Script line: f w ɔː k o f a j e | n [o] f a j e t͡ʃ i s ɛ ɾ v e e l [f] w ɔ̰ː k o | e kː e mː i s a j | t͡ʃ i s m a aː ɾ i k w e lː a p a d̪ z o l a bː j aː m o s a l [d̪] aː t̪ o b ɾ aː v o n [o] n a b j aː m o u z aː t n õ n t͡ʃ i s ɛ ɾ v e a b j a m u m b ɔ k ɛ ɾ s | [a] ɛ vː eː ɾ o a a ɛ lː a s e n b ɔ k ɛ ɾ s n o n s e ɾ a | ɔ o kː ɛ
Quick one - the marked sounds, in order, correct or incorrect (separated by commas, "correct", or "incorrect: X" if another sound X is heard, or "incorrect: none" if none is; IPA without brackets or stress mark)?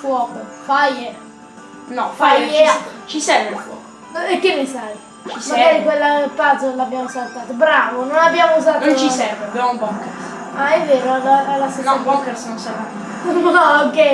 incorrect: ɔ, correct, incorrect: t̪, correct, correct